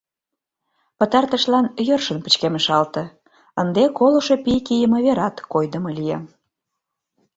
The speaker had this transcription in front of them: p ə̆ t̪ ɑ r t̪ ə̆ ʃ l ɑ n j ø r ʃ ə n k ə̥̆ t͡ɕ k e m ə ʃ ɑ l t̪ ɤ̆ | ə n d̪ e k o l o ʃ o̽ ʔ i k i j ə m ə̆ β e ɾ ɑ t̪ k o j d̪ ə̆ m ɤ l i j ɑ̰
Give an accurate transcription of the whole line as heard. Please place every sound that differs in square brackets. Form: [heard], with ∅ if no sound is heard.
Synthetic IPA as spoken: p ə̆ t̪ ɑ r t̪ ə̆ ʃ l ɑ n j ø r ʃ ə n [p] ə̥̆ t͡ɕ k e m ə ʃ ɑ l t̪ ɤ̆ | ə n d̪ e k o l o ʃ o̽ [p] i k i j ə m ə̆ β e ɾ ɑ t̪ k o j d̪ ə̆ m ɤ l i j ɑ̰